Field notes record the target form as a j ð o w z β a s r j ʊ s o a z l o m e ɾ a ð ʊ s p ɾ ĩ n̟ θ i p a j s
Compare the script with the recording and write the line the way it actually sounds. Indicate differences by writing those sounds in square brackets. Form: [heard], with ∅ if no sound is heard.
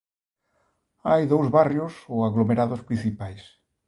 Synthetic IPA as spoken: a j ð o w z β a [∅] r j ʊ s o a [ɣ] l o m e ɾ a ð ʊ s p ɾ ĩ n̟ θ i p a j s